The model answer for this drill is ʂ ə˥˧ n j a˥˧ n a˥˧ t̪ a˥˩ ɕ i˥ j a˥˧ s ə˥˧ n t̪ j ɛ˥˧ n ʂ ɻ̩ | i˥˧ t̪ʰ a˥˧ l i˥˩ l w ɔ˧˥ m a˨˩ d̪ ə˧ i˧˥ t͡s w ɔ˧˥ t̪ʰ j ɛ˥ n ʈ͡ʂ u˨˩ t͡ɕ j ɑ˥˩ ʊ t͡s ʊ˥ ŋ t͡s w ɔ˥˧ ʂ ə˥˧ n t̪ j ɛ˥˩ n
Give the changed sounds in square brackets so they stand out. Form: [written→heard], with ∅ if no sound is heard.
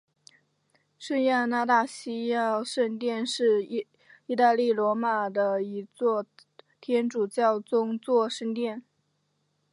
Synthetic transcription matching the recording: ʂ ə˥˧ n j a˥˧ n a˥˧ t̪ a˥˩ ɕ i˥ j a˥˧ [s→ʂ] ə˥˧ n t̪ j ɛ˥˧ n ʂ ɻ̩ | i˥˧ [t̪ʰ→t̪] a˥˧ l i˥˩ l w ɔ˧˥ m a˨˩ d̪ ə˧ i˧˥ t͡s w [ɔ˧˥→ɔ˥˩] t̪ʰ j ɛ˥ n ʈ͡ʂ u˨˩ t͡ɕ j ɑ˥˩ ʊ t͡s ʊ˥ ŋ t͡s w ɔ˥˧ ʂ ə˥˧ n t̪ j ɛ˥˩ n